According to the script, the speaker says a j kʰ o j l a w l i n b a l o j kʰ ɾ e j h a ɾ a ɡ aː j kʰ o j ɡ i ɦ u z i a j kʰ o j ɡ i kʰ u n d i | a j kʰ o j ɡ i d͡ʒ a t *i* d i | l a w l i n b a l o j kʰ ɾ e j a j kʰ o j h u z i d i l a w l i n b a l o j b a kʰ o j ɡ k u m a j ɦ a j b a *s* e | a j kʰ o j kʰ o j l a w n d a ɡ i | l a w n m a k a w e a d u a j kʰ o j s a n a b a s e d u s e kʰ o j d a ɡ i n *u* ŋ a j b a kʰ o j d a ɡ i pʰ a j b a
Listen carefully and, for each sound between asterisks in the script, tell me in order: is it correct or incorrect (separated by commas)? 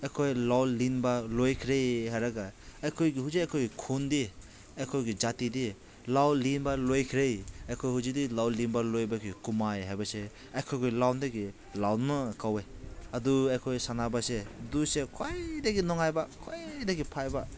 correct, correct, incorrect